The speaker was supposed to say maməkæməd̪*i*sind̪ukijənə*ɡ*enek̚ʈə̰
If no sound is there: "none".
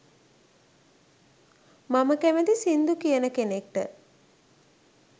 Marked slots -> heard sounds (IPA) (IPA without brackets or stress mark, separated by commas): i, k